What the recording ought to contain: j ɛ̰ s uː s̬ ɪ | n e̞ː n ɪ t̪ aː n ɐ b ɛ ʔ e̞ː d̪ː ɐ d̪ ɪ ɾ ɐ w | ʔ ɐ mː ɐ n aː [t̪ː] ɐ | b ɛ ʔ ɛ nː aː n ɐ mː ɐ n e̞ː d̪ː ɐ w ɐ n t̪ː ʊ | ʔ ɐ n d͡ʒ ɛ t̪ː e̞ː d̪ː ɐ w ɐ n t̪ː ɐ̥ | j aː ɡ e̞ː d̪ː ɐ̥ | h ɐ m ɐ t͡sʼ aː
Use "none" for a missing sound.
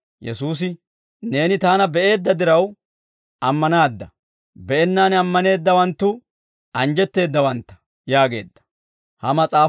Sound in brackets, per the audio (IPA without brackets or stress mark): d̪ː